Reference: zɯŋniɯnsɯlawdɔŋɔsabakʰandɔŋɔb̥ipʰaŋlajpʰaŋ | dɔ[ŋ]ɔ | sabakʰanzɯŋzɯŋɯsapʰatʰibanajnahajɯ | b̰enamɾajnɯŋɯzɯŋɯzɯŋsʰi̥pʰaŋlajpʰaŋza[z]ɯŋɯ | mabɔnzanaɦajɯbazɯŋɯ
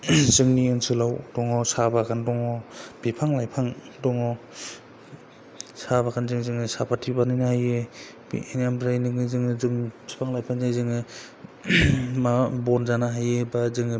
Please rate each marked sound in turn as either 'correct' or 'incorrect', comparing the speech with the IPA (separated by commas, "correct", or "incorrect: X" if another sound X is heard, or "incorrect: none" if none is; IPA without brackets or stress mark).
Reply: correct, correct